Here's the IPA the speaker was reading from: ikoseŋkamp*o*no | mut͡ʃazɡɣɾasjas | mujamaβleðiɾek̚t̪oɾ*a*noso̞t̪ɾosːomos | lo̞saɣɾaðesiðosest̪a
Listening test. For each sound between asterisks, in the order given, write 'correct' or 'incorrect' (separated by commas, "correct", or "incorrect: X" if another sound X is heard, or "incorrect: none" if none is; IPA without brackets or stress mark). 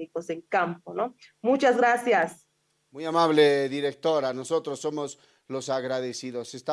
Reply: correct, correct